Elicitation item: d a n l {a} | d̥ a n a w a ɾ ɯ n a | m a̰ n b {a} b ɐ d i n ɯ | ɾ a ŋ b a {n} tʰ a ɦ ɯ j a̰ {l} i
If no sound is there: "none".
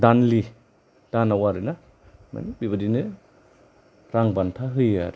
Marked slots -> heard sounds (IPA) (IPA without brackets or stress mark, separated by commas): i, i, n, ɾ